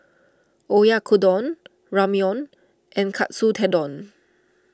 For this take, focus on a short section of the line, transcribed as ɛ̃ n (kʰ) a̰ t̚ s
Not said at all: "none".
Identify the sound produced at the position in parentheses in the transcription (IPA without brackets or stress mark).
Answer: kʰ